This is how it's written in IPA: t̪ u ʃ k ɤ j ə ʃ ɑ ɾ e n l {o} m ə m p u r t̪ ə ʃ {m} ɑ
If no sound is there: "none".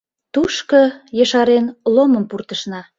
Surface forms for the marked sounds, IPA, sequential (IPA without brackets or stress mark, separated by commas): o, n